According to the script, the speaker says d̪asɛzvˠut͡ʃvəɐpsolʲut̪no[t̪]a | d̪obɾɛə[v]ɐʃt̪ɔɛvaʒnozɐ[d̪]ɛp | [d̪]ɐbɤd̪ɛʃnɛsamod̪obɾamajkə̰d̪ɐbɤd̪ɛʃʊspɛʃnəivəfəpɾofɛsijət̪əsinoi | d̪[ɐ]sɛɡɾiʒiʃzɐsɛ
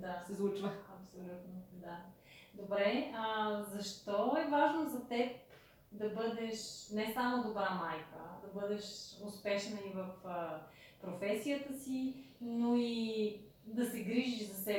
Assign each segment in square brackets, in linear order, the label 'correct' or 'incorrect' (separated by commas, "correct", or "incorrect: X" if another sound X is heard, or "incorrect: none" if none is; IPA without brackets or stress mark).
incorrect: d̪, incorrect: z, incorrect: t̪, correct, correct